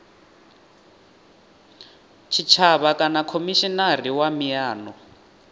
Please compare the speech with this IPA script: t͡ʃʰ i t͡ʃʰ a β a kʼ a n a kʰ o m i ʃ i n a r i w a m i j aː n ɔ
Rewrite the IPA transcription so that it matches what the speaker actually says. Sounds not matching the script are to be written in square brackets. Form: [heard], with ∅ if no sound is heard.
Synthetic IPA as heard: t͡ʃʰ i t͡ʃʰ a β a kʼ a n a kʰ o m i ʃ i n a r i w a m i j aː n ɔ